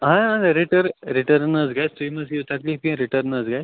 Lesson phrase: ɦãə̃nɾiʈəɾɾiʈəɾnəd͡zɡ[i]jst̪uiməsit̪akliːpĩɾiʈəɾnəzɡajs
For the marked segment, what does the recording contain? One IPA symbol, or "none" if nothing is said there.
a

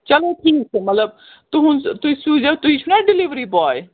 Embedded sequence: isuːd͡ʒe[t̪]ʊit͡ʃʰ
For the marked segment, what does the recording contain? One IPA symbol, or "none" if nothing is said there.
t̪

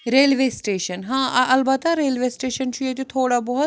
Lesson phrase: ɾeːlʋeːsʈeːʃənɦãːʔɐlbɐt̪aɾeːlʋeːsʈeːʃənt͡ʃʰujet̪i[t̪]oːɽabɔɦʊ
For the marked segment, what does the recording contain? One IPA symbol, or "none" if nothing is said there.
t̪ʰ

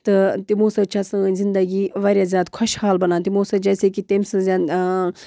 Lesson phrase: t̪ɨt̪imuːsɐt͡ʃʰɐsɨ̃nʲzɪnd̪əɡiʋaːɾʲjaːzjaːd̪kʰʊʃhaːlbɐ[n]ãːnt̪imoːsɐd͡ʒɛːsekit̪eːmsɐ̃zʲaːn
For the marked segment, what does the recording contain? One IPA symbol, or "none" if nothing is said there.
n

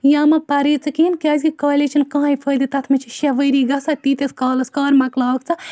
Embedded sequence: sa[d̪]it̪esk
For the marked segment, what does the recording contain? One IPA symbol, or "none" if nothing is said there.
t̪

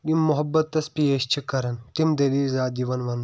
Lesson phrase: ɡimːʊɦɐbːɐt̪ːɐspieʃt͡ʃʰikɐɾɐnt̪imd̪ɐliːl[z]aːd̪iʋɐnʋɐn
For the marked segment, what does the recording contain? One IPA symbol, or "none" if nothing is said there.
z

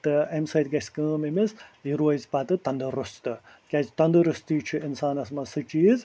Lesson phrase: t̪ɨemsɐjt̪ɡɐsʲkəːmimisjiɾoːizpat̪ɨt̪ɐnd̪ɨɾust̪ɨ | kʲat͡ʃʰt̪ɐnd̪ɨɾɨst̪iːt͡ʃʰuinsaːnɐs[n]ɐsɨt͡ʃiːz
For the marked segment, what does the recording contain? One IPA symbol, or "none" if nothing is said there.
m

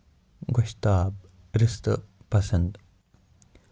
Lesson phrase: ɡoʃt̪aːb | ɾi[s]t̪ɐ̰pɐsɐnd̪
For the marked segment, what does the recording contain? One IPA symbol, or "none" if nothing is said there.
s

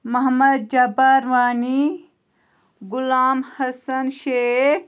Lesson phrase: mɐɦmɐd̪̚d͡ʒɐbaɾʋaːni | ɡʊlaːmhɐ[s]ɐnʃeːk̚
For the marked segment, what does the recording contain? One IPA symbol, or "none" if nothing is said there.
s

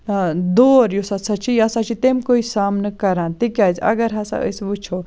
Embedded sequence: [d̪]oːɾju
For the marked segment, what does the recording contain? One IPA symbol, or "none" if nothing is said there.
d̪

